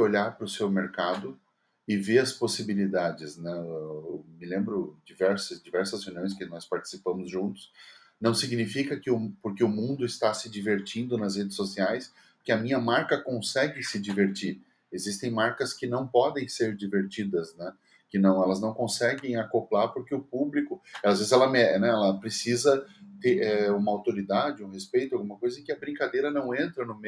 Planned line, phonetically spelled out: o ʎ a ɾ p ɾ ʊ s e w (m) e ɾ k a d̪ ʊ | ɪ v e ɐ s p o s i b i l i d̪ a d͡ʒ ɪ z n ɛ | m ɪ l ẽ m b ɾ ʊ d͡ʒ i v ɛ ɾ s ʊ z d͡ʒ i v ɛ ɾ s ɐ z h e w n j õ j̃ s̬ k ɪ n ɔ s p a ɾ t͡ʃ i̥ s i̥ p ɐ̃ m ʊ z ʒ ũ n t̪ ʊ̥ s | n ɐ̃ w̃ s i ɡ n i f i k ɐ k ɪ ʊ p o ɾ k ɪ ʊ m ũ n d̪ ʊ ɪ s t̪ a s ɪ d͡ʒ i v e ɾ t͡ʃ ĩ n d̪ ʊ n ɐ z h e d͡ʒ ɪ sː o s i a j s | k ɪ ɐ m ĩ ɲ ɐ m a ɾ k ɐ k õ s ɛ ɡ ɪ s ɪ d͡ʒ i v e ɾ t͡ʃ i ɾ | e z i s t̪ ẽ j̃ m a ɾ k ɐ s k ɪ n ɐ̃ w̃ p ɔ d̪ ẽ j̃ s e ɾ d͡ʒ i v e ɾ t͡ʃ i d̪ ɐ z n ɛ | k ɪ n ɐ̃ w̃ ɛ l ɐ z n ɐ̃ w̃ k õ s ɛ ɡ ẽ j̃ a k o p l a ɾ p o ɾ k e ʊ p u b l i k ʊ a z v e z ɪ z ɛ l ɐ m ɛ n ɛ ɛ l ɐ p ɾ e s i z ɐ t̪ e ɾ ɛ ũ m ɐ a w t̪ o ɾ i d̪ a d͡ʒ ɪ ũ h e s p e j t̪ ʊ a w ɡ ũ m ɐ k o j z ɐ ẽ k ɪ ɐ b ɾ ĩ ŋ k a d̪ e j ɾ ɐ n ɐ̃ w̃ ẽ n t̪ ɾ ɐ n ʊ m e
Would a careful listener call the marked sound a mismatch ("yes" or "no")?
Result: no